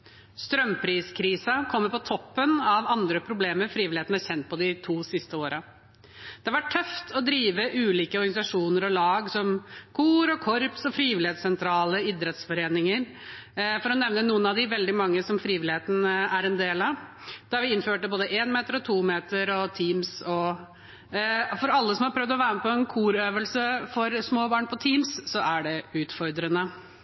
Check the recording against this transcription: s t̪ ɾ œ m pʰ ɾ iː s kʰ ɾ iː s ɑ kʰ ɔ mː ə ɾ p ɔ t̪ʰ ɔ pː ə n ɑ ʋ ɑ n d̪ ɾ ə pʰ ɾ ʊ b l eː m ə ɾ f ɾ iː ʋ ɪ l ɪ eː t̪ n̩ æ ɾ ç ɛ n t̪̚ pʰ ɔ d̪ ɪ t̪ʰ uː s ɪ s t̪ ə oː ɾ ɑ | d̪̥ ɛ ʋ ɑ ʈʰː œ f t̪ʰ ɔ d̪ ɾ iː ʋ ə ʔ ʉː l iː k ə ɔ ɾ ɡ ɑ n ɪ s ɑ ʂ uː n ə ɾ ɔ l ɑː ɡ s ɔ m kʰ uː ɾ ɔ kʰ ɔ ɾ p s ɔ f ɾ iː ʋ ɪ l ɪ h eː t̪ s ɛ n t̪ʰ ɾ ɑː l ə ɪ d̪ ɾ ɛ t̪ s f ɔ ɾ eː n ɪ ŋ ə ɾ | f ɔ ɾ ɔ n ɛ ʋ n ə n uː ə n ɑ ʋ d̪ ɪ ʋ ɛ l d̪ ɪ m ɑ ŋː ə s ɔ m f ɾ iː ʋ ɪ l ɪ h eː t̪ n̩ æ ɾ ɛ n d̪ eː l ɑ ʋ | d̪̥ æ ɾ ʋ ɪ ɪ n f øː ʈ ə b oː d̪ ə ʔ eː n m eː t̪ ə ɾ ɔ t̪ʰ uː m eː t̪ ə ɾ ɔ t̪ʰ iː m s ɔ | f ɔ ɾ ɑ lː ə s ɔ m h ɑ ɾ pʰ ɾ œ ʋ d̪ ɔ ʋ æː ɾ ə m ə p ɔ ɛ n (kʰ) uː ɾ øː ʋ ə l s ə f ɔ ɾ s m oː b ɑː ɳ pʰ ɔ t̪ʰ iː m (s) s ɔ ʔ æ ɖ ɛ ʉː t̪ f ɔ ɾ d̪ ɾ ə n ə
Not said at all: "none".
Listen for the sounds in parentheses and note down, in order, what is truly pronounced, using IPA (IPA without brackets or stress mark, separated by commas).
kʰ, s